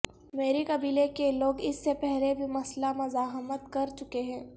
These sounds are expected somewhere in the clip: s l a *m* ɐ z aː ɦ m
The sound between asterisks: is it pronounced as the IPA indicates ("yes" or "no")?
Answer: yes